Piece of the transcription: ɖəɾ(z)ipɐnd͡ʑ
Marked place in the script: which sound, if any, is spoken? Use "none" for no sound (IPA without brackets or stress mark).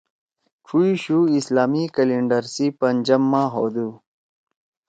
s